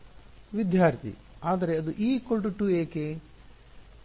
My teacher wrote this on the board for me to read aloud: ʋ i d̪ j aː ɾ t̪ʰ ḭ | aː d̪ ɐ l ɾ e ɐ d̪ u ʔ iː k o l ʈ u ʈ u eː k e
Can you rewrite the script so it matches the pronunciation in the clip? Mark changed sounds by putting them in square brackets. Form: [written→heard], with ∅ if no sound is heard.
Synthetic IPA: ʋ i d̪ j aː ɾ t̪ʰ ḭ | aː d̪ ɐ [l→∅] ɾ e ɐ d̪ u ʔ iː k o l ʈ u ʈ u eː k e

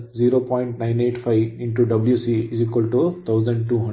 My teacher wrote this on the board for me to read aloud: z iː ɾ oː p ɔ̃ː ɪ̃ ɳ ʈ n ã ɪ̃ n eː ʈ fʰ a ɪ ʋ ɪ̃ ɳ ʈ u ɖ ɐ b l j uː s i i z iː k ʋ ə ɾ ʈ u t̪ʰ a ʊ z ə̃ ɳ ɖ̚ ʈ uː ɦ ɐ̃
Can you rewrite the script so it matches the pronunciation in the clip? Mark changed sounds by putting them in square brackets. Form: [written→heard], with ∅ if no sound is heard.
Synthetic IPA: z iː ɾ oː p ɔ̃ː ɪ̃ ɳ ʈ n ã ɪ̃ n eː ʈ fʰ a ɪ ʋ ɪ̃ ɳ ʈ u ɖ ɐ b l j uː s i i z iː k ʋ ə [ɾ→l] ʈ u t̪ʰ a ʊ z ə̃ ɳ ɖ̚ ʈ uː ɦ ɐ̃

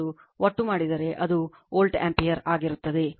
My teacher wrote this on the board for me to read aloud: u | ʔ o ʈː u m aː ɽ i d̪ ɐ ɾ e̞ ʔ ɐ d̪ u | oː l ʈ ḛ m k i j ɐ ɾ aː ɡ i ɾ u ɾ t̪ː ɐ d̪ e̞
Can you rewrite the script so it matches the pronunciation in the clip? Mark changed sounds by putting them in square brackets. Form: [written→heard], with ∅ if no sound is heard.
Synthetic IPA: u | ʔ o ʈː u m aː ɽ i d̪ ɐ ɾ e̞ ʔ ɐ d̪ u | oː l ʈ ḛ m [k→p] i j ɐ ɾ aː ɡ i ɾ u [ɾ→∅] t̪ː ɐ d̪ e̞

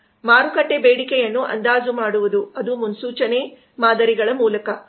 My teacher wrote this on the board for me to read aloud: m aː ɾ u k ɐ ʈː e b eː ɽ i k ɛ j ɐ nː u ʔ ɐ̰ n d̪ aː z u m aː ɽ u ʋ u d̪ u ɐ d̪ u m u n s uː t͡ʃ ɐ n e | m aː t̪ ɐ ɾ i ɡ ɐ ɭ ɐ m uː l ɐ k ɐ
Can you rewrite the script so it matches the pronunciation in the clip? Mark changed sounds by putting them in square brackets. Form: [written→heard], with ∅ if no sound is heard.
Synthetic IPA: m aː ɾ u k ɐ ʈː e b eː ɽ i k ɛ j ɐ nː u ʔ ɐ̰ n d̪ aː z u m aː ɽ u ʋ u d̪ u ɐ d̪ u m u n s uː t͡ʃ ɐ n e | m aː [t̪→d̪] ɐ ɾ i ɡ ɐ ɭ ɐ m uː l ɐ k ɐ

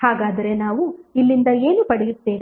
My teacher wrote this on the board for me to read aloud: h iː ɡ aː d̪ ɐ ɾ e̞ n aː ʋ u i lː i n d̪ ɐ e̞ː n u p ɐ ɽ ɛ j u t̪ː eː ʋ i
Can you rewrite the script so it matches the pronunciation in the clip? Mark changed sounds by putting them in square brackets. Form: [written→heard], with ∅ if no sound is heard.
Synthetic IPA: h [iː→aː] ɡ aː d̪ ɐ ɾ e̞ n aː ʋ u i lː i n d̪ ɐ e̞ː n u p ɐ ɽ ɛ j u t̪ː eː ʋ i

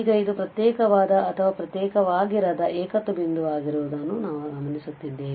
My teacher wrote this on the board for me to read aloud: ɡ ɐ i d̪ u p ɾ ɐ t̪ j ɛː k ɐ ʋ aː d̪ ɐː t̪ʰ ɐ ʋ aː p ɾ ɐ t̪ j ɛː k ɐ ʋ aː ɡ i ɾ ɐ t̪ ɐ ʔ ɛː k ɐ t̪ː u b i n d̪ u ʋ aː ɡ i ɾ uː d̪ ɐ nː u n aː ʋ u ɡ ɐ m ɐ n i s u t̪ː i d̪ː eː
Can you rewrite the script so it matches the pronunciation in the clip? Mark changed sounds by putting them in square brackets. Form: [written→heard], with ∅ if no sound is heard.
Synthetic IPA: ɡ ɐ i d̪ u p ɾ ɐ t̪ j ɛː k ɐ ʋ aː d̪ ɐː t̪ʰ ɐ ʋ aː p ɾ ɐ t̪ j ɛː k ɐ ʋ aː ɡ i ɾ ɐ [t̪→d̪] ɐ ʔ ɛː k ɐ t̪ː u b i n d̪ u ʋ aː ɡ i ɾ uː d̪ ɐ nː u n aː ʋ u ɡ ɐ m ɐ n i s u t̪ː i d̪ː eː

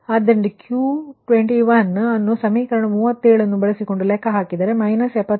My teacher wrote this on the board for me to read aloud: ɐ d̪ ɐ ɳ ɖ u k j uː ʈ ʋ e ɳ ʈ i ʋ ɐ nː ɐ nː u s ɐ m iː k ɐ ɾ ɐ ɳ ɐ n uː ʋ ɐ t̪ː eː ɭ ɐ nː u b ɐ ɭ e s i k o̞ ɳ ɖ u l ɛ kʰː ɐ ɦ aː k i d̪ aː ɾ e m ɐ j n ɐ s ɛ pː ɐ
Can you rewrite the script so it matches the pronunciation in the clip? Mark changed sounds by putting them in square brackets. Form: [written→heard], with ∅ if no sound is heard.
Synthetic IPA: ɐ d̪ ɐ ɳ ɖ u k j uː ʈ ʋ e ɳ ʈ i ʋ ɐ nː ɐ nː u s ɐ m iː k ɐ ɾ ɐ ɳ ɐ [n→m] uː ʋ ɐ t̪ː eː ɭ ɐ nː u b ɐ ɭ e s i k o̞ ɳ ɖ u l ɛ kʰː ɐ ɦ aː k i d̪ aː ɾ e m ɐ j n ɐ s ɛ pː ɐ

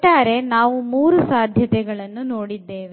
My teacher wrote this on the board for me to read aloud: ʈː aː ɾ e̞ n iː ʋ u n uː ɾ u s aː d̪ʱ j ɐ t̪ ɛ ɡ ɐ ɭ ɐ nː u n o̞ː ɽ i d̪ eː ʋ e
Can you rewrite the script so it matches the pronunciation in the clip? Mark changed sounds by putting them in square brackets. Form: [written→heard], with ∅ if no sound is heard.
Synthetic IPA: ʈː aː ɾ e̞ n [iː→aː] ʋ u [n→m] uː ɾ u s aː d̪ʱ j ɐ t̪ ɛ ɡ ɐ ɭ ɐ nː u n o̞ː ɽ i [d̪→d̪ː] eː ʋ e

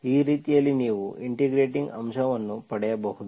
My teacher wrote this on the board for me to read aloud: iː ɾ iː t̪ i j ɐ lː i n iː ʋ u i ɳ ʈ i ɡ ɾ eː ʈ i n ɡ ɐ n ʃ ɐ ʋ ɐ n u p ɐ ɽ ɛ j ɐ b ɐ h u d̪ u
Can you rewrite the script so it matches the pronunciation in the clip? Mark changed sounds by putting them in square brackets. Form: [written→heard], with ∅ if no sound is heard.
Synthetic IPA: iː ɾ iː t̪ i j ɐ lː i n iː ʋ u i ɳ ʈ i ɡ ɾ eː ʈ i [n→ŋ] ɡ ɐ [n→m] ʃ ɐ ʋ ɐ [n→nː] u p ɐ ɽ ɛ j ɐ b ɐ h u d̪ u

